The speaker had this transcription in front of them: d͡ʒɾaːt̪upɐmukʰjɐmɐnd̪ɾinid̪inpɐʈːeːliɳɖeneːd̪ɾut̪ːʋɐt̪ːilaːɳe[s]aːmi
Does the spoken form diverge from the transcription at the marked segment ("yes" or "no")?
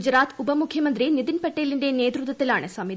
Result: no